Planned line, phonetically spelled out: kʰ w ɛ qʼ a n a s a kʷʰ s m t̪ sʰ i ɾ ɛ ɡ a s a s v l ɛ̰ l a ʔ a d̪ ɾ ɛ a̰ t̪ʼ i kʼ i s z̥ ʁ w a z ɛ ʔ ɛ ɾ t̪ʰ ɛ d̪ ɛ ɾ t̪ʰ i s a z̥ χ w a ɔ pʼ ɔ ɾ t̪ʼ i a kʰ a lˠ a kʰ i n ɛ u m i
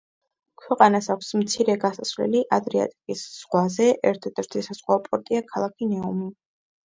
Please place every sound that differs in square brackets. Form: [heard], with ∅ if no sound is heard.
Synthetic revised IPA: kʰ w ɛ qʼ a n a s a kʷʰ s m t̪ sʰ i ɾ ɛ ɡ a s a s v l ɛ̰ l [i] ʔ a d̪ ɾ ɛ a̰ t̪ʼ i kʼ i s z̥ ʁ w a z ɛ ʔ ɛ ɾ t̪ʰ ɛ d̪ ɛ ɾ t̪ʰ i s a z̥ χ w a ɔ pʼ ɔ ɾ t̪ʼ i a kʰ a lˠ a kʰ i n ɛ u m i